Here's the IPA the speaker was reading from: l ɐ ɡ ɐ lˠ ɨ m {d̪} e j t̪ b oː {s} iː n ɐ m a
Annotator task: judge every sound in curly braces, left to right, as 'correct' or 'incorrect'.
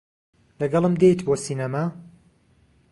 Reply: correct, correct

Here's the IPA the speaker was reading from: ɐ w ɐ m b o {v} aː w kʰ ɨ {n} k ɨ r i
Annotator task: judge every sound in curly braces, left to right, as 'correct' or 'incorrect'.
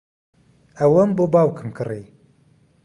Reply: incorrect, incorrect

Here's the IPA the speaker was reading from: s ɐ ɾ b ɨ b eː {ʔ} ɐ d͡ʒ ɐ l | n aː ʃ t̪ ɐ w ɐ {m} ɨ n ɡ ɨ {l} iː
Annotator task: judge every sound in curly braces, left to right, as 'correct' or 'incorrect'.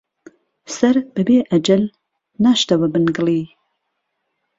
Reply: correct, incorrect, correct

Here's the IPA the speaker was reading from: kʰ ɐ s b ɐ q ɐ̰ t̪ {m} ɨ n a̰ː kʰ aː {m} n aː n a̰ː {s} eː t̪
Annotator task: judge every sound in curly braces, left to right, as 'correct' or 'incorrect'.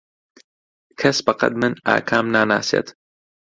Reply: correct, correct, correct

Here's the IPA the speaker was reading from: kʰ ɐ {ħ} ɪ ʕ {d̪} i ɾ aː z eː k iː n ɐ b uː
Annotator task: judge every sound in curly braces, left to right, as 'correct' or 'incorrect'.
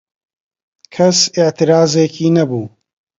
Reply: incorrect, incorrect

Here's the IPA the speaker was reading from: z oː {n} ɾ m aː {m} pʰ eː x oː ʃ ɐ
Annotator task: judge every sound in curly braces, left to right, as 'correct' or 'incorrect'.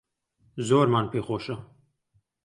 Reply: incorrect, incorrect

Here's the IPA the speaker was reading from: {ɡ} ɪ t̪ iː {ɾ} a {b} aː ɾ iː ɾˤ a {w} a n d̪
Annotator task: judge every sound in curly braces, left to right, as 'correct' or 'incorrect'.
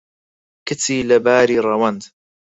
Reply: incorrect, incorrect, correct, correct

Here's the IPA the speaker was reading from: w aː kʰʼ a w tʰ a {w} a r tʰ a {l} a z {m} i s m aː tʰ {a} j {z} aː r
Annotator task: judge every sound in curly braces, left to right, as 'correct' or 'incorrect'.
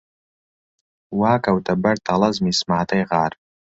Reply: incorrect, correct, correct, correct, incorrect

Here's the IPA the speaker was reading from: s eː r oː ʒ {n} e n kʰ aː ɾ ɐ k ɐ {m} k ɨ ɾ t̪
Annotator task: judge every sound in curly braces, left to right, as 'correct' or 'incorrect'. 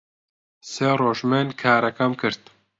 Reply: incorrect, correct

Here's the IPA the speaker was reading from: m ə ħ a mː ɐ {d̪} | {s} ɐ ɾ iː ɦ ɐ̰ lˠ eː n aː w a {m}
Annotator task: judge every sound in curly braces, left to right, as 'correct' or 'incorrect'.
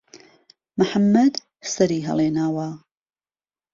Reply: correct, correct, incorrect

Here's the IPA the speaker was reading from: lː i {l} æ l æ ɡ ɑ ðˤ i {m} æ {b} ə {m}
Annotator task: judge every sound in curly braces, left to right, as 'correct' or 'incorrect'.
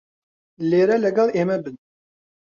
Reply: incorrect, correct, correct, incorrect

